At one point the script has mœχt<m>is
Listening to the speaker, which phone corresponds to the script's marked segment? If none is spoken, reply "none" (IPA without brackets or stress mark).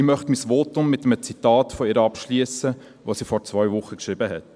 m